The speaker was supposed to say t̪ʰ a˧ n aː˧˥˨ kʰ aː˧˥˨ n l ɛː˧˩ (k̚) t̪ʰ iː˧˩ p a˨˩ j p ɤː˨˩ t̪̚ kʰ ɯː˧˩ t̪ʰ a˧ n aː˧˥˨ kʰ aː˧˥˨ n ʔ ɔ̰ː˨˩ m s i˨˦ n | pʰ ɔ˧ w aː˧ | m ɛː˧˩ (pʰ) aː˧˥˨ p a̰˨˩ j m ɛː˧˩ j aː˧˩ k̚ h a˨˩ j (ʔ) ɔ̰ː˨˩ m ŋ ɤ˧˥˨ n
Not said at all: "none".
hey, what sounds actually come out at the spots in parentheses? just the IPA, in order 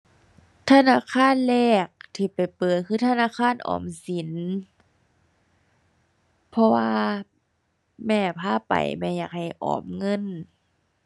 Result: k̚, pʰ, ʔ

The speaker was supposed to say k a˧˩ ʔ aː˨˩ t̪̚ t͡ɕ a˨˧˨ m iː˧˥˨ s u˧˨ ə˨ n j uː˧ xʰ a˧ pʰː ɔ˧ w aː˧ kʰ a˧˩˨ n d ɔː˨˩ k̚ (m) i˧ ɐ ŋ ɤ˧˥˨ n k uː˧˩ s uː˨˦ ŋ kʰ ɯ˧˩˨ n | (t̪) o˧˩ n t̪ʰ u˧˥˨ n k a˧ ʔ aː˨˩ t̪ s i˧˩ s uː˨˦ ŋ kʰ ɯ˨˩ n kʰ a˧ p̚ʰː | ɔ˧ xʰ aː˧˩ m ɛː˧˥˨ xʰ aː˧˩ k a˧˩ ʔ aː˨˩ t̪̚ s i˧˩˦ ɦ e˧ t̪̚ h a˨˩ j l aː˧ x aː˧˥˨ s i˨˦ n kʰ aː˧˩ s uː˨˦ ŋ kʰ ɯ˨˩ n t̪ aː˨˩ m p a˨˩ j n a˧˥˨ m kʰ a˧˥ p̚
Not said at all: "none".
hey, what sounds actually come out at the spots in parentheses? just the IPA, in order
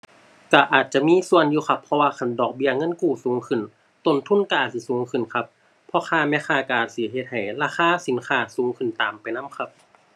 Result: b, t̪

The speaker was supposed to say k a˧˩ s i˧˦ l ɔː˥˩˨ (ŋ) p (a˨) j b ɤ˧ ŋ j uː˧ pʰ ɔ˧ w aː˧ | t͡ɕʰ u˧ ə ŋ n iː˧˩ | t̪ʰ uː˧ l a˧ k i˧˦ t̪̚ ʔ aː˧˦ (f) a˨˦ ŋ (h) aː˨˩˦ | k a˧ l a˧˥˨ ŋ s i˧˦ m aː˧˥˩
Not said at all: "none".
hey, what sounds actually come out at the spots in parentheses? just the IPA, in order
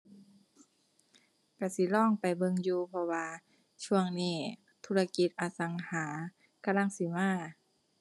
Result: ŋ, a˨, s, h

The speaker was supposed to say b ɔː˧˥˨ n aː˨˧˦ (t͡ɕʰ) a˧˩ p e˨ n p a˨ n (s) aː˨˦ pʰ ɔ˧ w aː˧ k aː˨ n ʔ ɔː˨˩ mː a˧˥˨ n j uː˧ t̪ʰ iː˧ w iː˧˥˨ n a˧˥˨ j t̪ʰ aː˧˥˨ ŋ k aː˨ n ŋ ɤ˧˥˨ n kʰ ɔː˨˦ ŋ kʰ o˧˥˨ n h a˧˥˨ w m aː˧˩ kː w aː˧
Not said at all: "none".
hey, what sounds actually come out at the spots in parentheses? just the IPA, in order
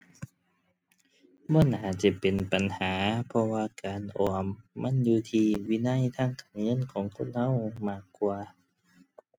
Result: t͡ɕ, h

